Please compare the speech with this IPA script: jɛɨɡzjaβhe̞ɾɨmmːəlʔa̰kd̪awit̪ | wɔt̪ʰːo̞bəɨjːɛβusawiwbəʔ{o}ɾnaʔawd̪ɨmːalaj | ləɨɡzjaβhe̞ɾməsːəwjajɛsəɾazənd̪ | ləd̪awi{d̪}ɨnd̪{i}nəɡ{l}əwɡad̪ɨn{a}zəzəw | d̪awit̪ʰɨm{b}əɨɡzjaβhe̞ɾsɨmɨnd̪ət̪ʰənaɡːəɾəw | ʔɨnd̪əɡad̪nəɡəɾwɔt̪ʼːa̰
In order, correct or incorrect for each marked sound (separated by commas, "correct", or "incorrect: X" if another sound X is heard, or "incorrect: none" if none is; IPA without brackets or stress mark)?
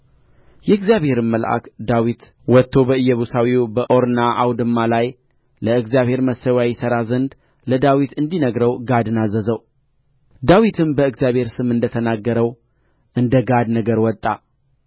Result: correct, incorrect: t̪, correct, incorrect: ɾ, correct, correct